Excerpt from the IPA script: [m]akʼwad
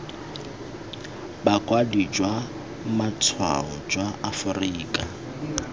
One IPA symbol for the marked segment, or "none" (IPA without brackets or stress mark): b